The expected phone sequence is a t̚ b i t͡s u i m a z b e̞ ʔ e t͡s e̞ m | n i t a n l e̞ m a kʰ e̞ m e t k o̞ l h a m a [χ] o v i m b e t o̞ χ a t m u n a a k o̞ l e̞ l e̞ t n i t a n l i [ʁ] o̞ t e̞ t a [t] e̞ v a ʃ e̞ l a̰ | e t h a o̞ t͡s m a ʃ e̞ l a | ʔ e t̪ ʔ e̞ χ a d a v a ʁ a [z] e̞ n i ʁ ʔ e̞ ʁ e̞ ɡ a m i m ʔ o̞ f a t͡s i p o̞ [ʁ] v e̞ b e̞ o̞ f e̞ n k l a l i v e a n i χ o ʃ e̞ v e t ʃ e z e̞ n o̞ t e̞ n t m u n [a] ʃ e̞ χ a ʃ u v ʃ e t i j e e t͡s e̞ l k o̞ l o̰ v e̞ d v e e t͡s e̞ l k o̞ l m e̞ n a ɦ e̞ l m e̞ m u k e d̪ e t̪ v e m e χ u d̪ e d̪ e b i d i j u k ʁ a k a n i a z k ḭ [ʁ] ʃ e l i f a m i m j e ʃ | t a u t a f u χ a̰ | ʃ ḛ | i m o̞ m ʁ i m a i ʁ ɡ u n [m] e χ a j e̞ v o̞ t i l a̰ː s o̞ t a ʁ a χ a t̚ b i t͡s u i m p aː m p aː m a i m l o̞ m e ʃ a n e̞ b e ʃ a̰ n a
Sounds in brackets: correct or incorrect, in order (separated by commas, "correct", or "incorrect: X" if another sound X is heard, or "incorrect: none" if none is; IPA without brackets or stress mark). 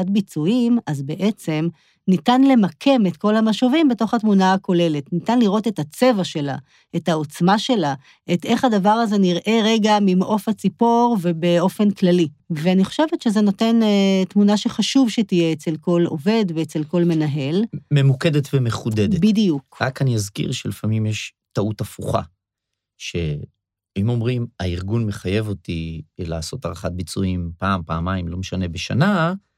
incorrect: ʃ, correct, incorrect: t͡s, correct, correct, correct, correct, correct